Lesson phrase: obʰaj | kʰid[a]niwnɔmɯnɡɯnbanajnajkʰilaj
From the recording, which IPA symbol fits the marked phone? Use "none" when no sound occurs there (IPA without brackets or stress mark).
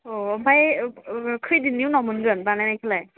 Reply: i